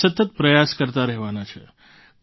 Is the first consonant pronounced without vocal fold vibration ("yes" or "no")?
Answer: yes